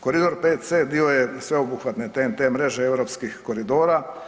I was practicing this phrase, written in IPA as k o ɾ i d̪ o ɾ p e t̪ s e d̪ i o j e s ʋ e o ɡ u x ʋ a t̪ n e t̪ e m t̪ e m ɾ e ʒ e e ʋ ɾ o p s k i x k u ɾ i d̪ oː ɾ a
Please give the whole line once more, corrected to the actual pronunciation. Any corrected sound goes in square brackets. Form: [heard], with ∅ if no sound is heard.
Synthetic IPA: k o ɾ i d̪ o ɾ p e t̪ s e d̪ i o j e s ʋ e o [b] u x ʋ a t̪ n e t̪ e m t̪ e m ɾ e ʒ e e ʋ ɾ o p s k i x k [o] ɾ i d̪ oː ɾ a